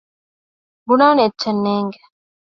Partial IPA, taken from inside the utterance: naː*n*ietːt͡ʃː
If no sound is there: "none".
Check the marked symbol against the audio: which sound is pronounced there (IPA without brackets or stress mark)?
n